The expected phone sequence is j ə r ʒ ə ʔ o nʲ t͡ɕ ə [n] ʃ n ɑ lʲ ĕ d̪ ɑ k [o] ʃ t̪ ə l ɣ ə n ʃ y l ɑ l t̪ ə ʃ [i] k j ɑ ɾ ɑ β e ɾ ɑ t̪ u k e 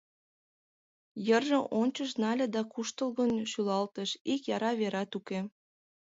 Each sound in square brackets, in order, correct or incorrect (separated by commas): incorrect, incorrect, correct